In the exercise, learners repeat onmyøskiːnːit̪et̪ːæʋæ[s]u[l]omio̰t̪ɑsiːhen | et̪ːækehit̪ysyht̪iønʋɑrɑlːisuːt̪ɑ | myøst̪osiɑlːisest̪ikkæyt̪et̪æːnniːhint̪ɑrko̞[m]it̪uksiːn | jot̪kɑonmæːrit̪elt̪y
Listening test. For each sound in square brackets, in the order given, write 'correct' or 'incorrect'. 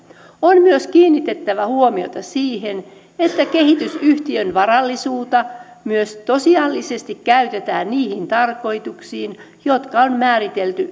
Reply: incorrect: h, incorrect: none, incorrect: none

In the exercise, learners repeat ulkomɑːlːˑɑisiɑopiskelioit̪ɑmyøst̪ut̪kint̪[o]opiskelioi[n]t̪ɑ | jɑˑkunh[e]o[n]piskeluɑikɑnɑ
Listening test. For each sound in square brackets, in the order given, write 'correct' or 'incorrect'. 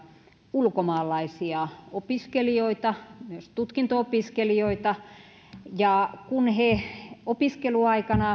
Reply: correct, incorrect: none, correct, incorrect: none

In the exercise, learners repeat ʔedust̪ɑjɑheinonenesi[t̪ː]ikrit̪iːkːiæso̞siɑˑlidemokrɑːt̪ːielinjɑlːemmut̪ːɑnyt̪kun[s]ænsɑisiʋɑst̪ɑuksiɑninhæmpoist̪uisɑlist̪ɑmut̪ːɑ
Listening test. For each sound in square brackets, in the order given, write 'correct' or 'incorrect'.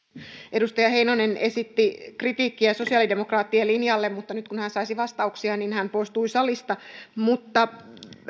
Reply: correct, incorrect: h

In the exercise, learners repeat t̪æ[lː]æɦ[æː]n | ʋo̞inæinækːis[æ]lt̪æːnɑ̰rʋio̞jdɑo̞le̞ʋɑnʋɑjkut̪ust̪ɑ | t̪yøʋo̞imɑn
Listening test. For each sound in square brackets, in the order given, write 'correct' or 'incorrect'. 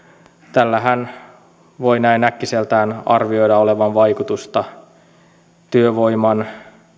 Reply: correct, incorrect: æ, incorrect: e

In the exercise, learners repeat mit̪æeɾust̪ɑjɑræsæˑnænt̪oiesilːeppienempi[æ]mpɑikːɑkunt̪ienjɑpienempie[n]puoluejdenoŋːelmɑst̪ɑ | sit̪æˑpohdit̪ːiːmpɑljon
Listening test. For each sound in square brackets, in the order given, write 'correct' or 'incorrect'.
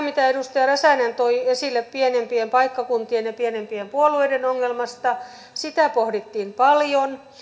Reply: incorrect: e, incorrect: m

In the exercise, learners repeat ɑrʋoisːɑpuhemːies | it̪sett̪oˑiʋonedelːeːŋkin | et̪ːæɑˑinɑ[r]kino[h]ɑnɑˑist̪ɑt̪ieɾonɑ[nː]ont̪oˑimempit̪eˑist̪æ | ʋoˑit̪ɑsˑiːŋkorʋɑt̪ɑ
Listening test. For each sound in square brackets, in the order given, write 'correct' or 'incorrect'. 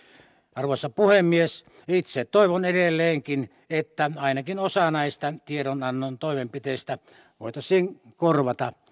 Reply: incorrect: none, incorrect: s, correct

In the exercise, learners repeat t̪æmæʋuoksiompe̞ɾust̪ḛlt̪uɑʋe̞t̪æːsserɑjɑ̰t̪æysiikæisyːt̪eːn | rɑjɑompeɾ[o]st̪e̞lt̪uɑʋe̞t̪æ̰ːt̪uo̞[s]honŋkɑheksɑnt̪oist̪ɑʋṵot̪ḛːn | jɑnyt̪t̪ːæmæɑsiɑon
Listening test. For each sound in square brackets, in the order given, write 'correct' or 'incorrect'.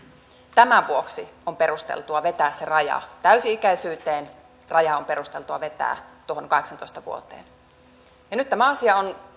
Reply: incorrect: u, incorrect: none

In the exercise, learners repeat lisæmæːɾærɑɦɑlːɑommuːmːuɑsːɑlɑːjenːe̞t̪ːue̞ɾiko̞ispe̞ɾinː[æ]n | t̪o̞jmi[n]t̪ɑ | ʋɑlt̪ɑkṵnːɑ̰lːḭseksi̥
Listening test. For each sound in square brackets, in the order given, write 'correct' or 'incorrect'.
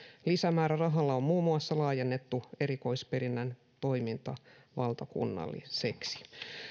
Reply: correct, correct

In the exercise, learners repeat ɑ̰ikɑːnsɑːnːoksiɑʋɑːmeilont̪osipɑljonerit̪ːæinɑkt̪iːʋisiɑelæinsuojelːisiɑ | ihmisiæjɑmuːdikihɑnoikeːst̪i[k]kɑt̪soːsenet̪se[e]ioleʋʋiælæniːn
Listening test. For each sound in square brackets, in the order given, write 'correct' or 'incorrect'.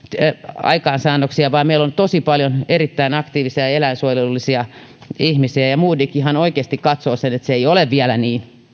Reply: correct, correct

